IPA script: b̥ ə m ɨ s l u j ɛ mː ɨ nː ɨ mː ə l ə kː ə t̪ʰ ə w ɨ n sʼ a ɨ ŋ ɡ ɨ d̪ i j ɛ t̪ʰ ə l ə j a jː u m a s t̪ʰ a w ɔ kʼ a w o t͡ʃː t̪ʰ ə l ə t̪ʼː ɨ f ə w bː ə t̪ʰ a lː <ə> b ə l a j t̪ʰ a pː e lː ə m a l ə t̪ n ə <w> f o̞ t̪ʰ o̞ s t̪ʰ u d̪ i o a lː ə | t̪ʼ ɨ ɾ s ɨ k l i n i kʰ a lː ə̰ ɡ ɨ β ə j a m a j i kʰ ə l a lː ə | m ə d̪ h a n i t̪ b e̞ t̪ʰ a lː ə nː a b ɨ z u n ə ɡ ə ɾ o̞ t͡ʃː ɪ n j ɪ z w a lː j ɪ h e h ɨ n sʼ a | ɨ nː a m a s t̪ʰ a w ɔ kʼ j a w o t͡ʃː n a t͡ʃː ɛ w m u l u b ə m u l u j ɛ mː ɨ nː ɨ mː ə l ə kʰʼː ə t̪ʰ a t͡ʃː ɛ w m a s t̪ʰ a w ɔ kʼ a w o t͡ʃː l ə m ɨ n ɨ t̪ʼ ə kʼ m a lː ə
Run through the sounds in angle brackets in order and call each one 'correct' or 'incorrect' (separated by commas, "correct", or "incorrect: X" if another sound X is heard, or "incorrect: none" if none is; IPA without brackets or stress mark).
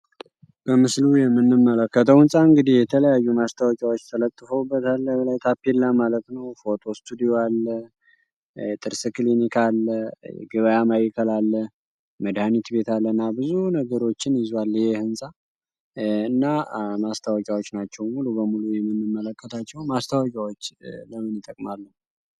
correct, correct